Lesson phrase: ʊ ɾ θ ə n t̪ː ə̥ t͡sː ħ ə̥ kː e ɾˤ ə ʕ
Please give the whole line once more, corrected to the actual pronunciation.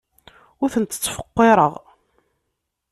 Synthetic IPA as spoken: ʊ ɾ θ ə n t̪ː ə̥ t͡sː f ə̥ qː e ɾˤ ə ʁ